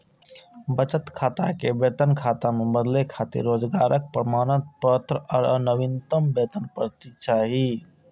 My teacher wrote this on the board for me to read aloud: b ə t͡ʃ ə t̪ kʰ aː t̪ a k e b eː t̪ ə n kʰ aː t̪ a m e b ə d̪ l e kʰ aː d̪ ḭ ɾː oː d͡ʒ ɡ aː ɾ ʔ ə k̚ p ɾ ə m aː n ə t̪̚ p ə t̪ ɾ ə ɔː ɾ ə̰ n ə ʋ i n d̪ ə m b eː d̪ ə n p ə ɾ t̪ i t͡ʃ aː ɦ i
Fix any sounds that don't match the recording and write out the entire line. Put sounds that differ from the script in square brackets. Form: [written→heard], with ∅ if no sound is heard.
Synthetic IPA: b ə t͡ʃ ə t̪ kʰ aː t̪ a k e b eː t̪ ə n kʰ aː t̪ a m e b ə d̪ l e kʰ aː [d̪→t̪] ḭ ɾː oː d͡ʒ ɡ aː ɾ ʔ ə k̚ p ɾ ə m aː n ə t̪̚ p ə t̪ ɾ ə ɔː ɾ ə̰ n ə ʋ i n [d̪→t̪] ə m b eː [d̪→t̪] ə n p ə ɾ t̪ i t͡ʃ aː ɦ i